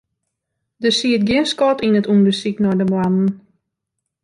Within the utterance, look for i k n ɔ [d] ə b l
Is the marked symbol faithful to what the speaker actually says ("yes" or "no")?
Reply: yes